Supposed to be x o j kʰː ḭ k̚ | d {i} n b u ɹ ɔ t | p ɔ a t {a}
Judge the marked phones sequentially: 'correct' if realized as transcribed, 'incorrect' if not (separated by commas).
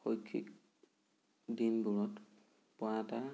correct, correct